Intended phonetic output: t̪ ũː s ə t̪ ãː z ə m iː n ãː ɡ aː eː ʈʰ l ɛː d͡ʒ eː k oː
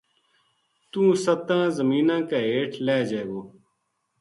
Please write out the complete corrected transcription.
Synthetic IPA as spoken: t̪ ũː s ə t̪ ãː z ə m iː n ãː k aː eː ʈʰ l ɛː d͡ʒ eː ɡ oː